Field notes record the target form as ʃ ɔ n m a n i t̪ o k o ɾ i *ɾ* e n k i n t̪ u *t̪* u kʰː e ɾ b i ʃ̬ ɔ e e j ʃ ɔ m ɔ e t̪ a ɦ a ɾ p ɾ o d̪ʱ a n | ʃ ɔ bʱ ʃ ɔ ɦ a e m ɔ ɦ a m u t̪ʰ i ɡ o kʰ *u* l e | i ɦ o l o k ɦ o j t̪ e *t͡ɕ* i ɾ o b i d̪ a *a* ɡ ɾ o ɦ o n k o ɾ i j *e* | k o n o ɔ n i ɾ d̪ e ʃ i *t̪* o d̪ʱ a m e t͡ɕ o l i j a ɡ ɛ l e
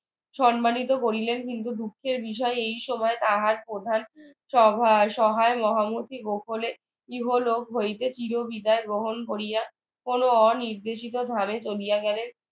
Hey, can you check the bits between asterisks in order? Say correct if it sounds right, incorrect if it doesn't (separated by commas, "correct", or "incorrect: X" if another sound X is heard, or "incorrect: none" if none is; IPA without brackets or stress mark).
incorrect: l, incorrect: d̪, incorrect: o, correct, incorrect: e, incorrect: a, correct